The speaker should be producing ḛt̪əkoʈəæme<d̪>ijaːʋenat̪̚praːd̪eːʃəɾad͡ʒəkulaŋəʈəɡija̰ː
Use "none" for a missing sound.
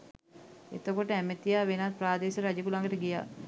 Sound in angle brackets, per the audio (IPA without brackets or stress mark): t̪